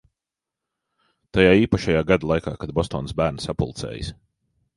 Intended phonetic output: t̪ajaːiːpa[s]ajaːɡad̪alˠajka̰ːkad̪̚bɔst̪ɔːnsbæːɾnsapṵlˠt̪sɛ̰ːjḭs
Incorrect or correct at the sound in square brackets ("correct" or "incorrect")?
incorrect